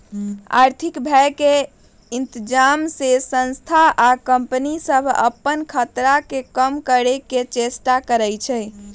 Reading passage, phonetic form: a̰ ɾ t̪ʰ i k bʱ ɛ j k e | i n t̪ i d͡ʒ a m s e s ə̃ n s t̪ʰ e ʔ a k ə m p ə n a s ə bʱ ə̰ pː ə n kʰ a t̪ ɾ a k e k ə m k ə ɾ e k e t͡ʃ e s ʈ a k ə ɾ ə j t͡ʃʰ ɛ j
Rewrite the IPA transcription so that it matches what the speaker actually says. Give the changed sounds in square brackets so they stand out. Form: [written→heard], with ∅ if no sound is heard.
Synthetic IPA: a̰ ɾ t̪ʰ i k bʱ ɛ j k e | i n t̪ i d͡ʒ a m s e s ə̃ n s t̪ʰ [e→a] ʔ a k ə m p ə n [a→i] s ə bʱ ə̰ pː ə n kʰ [a→ə] t̪ ɾ a k e k ə m k ə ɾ e k e t͡ʃ e s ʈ a k ə ɾ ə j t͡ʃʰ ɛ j